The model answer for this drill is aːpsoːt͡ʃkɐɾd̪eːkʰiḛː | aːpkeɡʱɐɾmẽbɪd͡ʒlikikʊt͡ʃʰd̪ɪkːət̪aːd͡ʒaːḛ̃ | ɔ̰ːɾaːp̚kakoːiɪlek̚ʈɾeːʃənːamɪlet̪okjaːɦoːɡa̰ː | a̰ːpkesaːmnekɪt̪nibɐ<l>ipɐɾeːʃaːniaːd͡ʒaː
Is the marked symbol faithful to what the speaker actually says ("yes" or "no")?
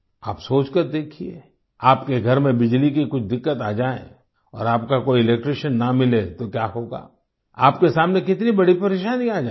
no